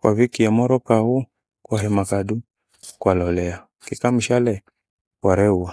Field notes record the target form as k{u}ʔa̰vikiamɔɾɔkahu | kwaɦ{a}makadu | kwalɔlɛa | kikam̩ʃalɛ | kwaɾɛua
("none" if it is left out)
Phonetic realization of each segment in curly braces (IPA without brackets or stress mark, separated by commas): w, ɛ